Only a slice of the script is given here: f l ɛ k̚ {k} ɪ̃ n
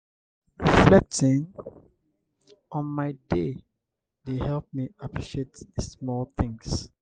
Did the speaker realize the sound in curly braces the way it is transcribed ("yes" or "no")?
no